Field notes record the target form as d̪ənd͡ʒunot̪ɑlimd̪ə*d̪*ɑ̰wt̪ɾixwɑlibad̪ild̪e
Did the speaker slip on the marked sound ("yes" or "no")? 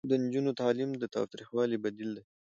yes